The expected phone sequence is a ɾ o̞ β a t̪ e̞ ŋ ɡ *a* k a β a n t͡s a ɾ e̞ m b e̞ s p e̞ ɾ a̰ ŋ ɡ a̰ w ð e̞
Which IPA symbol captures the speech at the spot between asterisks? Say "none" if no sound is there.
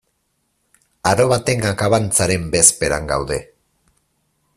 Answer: a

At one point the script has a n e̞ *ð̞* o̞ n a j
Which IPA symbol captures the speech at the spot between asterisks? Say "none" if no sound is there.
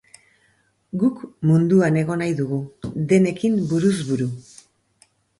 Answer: ɣ̞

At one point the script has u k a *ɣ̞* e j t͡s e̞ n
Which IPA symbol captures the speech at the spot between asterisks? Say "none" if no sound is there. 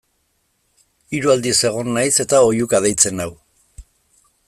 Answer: ð̞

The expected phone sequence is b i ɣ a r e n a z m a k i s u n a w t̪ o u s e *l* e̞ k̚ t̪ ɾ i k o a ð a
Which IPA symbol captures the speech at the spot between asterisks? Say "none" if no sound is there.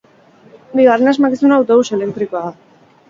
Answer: l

